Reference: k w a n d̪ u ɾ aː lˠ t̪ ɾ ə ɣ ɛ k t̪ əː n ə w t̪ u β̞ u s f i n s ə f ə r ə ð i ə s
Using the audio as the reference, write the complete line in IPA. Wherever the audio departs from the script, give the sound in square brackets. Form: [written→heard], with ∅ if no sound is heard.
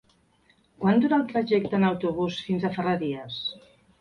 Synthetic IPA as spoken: k w a n d̪ u ɾ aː lˠ t̪ ɾ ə [ɣ→ʒ] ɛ k t̪ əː n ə w t̪ u β̞ u s f i n [s→z] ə f ə r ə ð i ə s